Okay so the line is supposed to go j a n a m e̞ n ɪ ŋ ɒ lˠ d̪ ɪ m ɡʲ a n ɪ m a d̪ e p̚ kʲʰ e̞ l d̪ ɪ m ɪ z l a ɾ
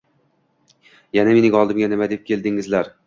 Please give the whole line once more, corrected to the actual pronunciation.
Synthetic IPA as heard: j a n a m e̞ n ɪ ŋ ɒ lˠ d̪ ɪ m ɡʲ a n ɪ m a d̪ e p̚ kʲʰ e̞ l d̪ ɪ ŋ ɪ z l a ɾ